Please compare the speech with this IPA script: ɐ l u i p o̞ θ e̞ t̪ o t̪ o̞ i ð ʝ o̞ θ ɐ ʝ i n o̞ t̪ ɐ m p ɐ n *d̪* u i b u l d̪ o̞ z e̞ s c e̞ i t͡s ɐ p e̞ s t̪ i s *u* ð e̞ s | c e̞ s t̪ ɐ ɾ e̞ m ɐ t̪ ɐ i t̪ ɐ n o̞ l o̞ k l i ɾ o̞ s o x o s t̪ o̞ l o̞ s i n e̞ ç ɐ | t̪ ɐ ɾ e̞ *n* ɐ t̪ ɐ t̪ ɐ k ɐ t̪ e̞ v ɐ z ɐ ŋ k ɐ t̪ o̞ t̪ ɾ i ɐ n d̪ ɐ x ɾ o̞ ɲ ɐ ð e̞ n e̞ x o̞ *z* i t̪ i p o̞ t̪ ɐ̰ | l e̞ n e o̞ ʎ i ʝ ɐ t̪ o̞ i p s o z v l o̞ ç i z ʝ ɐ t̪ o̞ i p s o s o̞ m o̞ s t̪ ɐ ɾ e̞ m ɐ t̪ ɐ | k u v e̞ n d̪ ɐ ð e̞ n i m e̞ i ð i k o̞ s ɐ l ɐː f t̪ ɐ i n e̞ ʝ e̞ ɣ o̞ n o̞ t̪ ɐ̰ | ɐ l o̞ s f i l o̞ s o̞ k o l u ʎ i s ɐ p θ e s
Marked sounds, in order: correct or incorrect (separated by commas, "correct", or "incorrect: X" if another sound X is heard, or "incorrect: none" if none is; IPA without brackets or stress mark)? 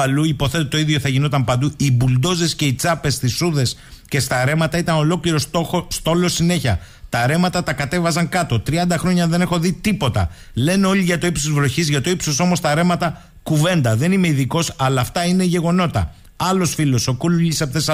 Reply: correct, correct, incorrect: m, incorrect: ð